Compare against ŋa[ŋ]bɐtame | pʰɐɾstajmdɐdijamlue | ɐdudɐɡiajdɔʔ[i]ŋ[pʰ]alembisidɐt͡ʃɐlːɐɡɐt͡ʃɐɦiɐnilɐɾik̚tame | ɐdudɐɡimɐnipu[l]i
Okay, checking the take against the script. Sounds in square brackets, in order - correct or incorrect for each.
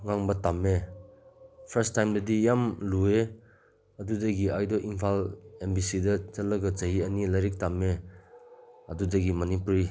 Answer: correct, correct, correct, incorrect: ɾ

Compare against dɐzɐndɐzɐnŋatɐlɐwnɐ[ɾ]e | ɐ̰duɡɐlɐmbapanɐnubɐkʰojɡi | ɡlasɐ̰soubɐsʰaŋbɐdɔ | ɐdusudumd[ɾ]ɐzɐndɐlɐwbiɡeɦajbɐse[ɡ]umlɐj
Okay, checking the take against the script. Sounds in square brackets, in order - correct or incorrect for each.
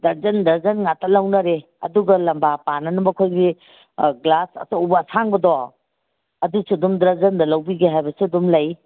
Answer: correct, correct, incorrect: d

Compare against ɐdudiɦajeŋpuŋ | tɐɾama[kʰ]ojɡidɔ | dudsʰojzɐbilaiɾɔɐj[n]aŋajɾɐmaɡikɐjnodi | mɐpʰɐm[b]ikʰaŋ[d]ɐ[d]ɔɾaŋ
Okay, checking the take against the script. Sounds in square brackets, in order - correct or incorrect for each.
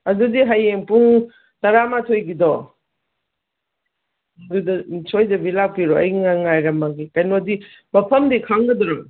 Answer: incorrect: tʰ, incorrect: ŋ, incorrect: d, incorrect: ɡ, correct

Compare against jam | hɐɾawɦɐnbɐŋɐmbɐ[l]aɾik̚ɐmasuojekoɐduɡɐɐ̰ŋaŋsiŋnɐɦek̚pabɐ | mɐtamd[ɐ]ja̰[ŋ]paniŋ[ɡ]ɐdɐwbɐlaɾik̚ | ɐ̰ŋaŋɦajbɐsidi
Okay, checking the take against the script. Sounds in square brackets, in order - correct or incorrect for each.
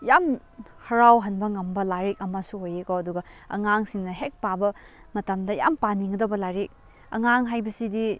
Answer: correct, correct, incorrect: m, correct

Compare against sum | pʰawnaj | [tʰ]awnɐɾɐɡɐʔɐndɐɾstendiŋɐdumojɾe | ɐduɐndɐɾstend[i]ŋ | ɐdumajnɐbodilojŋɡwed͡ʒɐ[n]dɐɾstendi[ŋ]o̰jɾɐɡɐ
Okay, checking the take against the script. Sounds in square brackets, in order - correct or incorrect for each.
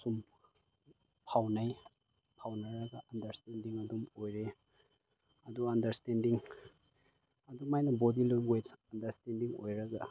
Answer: incorrect: pʰ, correct, correct, correct

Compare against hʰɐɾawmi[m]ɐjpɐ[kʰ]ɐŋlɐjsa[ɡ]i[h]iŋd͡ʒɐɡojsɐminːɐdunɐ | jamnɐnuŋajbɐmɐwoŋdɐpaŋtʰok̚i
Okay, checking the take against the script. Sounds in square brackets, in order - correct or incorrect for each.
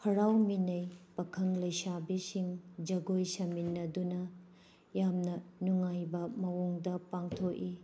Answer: incorrect: n, correct, incorrect: b, incorrect: s

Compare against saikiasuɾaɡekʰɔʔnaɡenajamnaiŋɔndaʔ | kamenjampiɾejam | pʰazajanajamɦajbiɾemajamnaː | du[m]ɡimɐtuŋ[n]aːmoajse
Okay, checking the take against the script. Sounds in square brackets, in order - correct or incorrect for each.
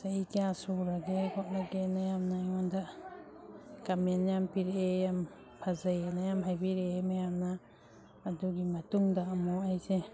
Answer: incorrect: none, incorrect: d

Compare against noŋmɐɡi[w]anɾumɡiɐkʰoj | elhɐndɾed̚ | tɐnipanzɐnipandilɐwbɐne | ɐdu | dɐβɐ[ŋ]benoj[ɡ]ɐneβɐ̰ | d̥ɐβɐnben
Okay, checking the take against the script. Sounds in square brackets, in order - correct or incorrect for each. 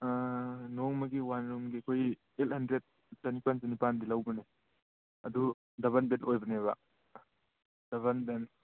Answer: correct, incorrect: n, incorrect: b

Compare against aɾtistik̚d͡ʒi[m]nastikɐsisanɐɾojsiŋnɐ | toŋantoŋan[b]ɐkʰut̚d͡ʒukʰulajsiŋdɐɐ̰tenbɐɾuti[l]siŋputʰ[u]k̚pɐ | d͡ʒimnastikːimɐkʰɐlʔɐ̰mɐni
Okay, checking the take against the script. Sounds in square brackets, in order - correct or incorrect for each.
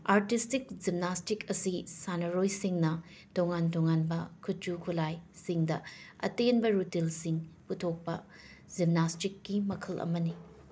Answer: correct, correct, correct, incorrect: o

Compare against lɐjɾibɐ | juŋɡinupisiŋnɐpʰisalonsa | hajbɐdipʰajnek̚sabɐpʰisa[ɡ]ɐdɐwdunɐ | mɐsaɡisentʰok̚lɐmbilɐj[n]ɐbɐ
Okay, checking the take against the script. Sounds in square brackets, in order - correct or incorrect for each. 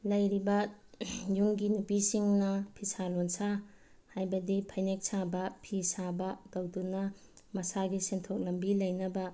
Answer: incorrect: b, correct

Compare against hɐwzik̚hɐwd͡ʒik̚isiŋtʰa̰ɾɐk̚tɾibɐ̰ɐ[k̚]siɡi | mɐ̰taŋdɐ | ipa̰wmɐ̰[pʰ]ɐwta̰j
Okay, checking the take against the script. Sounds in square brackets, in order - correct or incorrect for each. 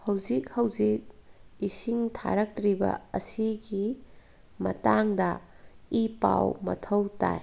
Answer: incorrect: none, incorrect: tʰ

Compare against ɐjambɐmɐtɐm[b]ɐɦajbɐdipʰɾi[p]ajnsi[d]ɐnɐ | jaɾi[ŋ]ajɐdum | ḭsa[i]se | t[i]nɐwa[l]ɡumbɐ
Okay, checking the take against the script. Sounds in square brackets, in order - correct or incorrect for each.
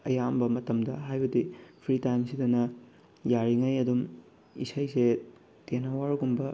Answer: incorrect: d, incorrect: t, correct, correct, incorrect: j, incorrect: e, incorrect: ɾ

